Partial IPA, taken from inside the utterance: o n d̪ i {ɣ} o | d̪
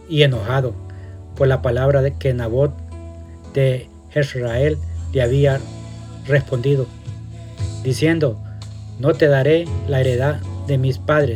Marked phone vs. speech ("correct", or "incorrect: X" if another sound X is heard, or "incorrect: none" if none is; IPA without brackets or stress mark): incorrect: ð